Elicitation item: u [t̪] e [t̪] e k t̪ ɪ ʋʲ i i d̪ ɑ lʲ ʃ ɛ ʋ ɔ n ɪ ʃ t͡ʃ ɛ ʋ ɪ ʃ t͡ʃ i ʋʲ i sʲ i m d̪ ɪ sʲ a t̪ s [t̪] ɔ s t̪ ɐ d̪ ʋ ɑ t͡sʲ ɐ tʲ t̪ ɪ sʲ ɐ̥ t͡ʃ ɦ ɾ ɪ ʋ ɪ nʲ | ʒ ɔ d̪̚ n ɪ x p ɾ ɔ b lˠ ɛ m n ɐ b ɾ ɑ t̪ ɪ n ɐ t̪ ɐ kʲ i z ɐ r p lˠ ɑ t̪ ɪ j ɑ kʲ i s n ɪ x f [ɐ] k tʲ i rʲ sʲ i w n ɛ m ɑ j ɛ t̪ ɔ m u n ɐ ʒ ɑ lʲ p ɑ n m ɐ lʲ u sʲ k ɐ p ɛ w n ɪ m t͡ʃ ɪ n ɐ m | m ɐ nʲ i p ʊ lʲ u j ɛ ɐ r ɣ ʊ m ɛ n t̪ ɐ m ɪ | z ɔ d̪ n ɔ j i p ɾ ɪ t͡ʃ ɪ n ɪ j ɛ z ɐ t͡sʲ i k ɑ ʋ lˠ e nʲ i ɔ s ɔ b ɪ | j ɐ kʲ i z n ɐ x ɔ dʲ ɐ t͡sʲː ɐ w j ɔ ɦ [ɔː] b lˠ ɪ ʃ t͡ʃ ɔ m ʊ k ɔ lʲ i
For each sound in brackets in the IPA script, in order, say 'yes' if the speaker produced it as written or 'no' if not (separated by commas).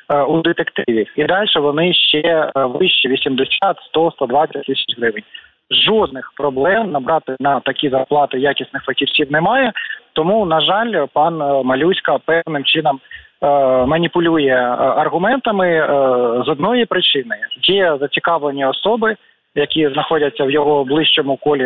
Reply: no, yes, yes, yes, no